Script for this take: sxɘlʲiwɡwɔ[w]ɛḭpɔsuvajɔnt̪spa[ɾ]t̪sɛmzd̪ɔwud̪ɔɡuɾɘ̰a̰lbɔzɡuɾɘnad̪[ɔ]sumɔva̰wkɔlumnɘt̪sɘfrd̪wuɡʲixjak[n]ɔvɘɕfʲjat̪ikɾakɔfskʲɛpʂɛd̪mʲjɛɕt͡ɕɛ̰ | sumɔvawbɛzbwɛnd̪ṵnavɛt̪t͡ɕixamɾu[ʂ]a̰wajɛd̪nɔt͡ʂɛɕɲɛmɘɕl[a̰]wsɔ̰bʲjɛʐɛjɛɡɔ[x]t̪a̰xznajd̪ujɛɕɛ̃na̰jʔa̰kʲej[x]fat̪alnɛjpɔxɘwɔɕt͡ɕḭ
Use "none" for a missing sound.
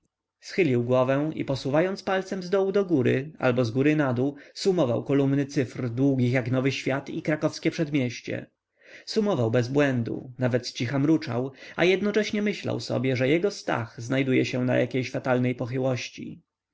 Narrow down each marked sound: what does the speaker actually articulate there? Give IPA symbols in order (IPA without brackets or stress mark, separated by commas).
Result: v, l, u, n, t͡ʂ, a̰, s, ɕ